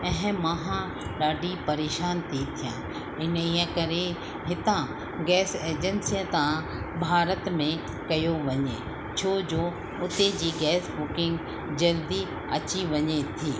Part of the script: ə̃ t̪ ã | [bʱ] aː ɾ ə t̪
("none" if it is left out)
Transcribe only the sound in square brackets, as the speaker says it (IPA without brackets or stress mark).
bʱ